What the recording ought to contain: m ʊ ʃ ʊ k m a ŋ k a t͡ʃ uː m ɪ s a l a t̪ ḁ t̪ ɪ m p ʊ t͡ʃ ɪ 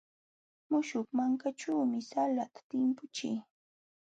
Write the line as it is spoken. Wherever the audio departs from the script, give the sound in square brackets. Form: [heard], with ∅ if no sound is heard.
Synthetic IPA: m ʊ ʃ ʊ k m a ŋ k a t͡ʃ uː m ɪ s a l a t̪ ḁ t̪ ɪ m p ʊ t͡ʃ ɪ